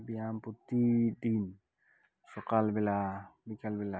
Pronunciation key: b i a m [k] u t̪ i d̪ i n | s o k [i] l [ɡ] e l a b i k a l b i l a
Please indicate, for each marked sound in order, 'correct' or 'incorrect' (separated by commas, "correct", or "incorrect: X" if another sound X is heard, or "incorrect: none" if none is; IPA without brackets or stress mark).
incorrect: p, incorrect: a, incorrect: b